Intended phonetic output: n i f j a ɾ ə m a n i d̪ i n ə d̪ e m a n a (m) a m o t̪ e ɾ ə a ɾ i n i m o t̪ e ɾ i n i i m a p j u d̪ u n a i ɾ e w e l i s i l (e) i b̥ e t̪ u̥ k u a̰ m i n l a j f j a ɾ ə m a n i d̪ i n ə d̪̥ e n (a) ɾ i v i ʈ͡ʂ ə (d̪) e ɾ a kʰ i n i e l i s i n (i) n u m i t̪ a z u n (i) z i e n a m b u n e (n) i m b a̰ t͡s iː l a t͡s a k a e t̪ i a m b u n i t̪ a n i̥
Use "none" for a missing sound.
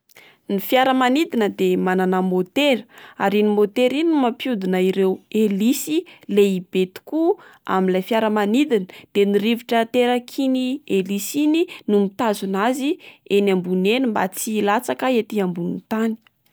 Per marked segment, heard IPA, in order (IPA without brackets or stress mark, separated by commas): n, e, i, t̪, i, a, n